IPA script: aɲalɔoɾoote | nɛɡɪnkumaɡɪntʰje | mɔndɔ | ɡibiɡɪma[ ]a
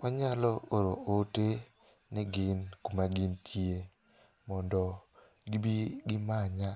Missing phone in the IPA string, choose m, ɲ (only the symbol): ɲ